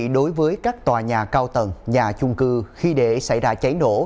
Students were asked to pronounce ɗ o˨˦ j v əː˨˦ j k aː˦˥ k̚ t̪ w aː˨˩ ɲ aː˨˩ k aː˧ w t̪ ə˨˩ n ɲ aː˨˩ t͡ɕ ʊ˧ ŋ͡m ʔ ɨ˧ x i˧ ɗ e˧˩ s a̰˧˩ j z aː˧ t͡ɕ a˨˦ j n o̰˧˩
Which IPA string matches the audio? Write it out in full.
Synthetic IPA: ɗ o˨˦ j v əː˨˦ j k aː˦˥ k̚ t̪ w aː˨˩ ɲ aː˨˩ k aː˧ w t̪ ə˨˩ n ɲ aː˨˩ t͡ɕ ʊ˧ ŋ͡m k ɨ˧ x i˧ ɗ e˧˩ s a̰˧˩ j z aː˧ t͡ɕ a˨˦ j n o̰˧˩